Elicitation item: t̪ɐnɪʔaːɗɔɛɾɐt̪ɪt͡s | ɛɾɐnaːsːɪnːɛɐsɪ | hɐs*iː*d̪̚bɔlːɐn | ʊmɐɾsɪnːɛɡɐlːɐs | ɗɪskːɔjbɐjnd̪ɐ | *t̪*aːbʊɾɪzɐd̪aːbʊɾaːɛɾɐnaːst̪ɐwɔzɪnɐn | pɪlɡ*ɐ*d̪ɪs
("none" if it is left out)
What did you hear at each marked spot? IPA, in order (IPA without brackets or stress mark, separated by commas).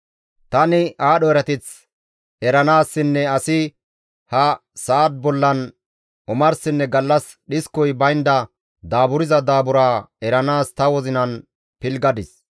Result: aː, d̪, ɐ